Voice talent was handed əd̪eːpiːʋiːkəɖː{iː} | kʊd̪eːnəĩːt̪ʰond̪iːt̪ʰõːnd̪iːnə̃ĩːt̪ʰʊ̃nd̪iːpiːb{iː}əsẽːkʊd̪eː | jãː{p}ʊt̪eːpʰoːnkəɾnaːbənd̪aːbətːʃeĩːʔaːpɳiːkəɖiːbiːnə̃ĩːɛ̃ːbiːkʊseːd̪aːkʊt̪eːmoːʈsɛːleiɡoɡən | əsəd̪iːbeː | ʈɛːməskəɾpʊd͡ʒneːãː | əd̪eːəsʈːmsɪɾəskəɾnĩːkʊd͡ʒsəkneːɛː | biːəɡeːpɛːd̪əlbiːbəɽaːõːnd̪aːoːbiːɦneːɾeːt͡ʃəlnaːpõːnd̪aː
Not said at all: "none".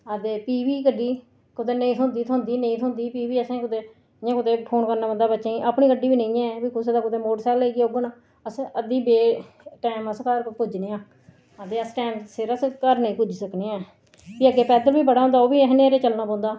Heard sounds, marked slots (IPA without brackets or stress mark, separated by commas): iː, iː, k